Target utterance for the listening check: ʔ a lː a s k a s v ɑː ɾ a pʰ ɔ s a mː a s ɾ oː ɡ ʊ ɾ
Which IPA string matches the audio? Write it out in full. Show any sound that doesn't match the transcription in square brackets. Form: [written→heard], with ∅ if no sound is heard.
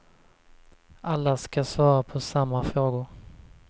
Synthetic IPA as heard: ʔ a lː a s k a s v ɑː ɾ a pʰ ɔ s a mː a [s→f] ɾ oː ɡ ʊ ɾ